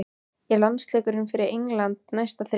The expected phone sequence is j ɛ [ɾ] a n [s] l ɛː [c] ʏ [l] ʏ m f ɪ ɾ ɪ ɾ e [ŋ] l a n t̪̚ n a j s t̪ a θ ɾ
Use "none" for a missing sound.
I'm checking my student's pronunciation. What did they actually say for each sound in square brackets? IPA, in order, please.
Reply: l, s, k, ɾ, ŋ

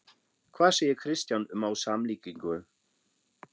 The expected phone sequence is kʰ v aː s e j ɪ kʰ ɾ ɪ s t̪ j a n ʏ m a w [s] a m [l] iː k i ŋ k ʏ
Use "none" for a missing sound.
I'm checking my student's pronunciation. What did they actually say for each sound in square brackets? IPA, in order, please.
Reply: s, l

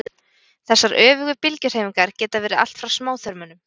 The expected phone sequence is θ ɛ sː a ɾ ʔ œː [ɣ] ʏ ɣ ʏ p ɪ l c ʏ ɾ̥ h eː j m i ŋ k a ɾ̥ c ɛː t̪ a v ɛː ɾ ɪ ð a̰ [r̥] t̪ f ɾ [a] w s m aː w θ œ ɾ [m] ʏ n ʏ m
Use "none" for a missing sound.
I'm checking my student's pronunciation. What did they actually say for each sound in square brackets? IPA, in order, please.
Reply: v, l̥, a, m

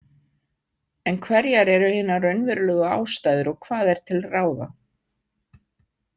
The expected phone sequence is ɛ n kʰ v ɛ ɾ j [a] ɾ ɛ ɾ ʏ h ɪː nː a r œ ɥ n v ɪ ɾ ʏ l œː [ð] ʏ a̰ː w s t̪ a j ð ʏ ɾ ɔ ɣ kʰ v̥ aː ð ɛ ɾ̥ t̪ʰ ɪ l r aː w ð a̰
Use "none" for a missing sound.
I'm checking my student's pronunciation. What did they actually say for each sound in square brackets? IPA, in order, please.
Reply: a, ɣ

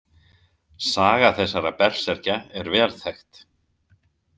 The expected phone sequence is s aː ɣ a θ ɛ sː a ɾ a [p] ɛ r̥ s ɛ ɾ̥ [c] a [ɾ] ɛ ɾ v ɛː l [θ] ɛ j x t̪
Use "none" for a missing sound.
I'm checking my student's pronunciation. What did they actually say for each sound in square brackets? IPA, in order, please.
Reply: p, c, none, θ

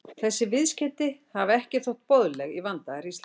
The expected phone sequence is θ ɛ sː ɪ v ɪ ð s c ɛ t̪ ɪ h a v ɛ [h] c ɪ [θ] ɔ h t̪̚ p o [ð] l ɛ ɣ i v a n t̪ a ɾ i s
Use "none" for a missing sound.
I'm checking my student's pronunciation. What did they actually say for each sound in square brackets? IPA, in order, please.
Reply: h, θ, ð

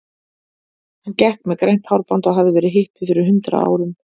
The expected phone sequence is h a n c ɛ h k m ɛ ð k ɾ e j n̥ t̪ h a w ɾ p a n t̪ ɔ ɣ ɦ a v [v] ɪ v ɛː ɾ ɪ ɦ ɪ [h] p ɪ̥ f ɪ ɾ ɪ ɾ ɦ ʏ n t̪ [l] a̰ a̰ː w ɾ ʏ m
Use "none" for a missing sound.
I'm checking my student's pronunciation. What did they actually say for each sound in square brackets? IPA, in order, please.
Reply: ð, h, ɾ

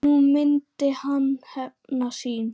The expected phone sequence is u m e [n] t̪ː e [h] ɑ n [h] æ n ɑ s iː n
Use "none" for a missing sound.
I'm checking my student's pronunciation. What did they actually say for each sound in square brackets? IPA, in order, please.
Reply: n, h, h

